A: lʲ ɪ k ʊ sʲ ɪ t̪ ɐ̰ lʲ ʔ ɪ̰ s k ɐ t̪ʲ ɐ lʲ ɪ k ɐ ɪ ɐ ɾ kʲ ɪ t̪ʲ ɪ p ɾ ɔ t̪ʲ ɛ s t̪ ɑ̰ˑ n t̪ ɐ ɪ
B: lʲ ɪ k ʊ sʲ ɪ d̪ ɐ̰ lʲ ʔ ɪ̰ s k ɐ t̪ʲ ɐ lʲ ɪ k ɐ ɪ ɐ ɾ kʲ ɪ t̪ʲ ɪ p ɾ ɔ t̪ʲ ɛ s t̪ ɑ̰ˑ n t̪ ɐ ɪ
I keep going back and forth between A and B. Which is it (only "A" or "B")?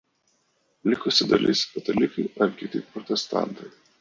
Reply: B